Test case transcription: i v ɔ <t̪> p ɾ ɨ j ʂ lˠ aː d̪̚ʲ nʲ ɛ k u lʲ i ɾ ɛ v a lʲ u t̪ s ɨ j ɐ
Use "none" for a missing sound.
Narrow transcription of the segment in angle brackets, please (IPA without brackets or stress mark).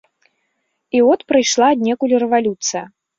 t̪